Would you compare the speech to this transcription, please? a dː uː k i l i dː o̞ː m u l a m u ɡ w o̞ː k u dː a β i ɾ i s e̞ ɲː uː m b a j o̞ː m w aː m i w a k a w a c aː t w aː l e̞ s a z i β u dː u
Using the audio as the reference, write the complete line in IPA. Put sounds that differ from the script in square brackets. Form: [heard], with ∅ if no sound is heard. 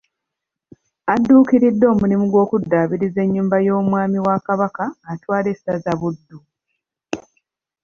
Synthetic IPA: a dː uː k i [ɾ] i dː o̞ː m u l [i] m u ɡ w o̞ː k u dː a β i ɾ i [z] e̞ ɲː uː m b a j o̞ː m w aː m i w a k a [β] a [k] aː t w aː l e̞ s a z [a] β u dː u